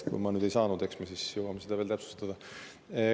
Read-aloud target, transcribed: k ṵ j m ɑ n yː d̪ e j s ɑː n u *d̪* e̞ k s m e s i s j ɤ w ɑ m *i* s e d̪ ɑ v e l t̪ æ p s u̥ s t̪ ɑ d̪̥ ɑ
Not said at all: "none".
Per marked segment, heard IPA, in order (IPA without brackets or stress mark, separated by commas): d̪, e